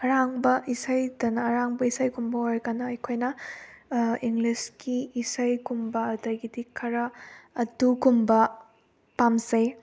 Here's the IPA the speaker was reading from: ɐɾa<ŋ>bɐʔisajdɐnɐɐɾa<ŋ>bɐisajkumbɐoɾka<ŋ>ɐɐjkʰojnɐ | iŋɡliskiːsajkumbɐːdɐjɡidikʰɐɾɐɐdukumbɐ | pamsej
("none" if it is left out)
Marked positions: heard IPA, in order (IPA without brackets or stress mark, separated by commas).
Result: ŋ, ŋ, n